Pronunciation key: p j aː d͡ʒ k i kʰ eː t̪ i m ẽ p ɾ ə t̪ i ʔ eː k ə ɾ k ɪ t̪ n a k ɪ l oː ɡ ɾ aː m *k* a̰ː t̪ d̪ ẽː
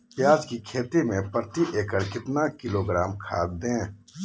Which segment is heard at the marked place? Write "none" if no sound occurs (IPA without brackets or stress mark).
kʰ